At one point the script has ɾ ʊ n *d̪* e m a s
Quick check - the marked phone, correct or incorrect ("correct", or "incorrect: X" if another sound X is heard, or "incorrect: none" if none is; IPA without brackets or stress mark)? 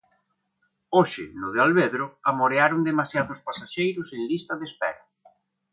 correct